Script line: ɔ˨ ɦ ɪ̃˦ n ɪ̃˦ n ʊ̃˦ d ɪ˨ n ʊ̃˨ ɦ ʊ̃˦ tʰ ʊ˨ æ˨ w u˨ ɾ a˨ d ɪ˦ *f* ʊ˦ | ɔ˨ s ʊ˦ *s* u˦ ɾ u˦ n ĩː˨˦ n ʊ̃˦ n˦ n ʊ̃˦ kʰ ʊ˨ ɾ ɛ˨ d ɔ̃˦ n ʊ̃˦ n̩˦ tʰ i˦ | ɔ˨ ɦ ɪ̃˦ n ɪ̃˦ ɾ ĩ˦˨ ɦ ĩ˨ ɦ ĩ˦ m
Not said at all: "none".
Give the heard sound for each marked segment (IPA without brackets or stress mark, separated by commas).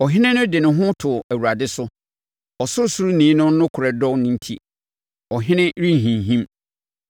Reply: s, s